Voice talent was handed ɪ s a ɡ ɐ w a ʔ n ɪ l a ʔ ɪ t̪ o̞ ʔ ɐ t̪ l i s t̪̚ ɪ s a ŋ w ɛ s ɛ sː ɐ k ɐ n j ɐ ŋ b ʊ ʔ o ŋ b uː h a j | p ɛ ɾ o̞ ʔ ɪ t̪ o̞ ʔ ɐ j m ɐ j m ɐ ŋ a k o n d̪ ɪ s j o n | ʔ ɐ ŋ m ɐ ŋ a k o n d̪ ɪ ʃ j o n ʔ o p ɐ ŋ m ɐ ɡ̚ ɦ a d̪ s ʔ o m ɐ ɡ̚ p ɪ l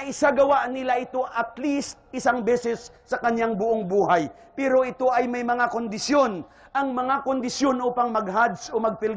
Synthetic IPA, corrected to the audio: ɪ s a ɡ ɐ w a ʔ n ɪ l a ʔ ɪ t̪ o̞ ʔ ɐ t̪ l i s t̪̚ ɪ s a ŋ b ɛ s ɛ sː ɐ k ɐ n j a ŋ b ʊ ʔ o ŋ b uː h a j | p ɛ ɾ o̞ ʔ ɪ t̪ o̞ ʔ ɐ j m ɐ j m ɐ ŋ a k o n d̪ ɪ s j o n | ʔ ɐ ŋ m ɐ ŋ a k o n d̪ ɪ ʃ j o n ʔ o p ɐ ŋ m ɐ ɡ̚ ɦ a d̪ s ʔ o m ɐ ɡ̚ p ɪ l